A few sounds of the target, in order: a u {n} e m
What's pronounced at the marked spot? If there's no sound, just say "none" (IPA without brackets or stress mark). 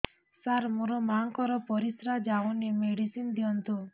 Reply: n